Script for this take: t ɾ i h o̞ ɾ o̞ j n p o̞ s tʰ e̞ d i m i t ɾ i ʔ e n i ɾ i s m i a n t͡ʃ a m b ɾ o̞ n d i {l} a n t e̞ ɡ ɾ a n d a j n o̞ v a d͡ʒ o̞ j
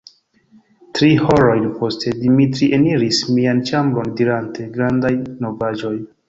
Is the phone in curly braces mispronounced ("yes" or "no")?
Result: yes